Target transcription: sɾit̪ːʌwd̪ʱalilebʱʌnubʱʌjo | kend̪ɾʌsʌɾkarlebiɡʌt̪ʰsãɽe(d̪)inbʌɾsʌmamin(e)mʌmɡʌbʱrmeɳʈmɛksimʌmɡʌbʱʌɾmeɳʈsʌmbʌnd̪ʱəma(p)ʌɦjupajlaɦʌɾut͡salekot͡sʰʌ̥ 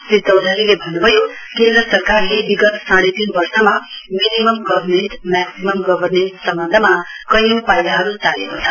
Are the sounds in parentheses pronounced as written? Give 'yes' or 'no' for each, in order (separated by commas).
no, no, no